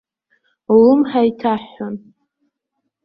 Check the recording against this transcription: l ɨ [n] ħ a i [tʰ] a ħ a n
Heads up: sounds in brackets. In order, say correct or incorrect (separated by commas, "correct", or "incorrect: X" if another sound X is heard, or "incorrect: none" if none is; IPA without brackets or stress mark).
incorrect: m, correct